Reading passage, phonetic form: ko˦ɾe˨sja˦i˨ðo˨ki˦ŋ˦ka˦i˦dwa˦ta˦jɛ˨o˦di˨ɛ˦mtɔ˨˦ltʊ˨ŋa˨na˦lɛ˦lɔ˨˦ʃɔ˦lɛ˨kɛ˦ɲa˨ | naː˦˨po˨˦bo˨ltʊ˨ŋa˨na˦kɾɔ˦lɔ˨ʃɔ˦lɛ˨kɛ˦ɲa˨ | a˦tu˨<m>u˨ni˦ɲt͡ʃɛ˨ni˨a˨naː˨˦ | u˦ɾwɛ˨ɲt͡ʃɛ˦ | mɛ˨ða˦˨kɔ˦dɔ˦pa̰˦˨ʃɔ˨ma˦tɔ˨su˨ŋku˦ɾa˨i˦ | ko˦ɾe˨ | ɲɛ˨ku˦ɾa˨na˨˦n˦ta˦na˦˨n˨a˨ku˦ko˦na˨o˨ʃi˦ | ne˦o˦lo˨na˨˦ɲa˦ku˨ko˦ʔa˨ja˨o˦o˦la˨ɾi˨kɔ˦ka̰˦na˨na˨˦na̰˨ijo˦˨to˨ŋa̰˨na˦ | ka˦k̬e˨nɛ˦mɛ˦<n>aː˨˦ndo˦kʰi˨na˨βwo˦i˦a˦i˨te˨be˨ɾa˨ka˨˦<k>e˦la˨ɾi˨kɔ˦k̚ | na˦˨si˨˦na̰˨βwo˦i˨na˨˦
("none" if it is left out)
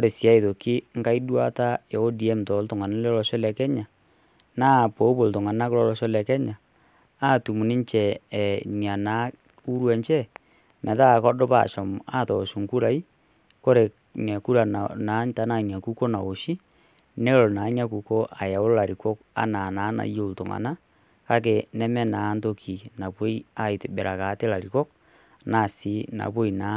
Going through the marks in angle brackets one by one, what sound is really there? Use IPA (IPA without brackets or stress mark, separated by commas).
m, n, t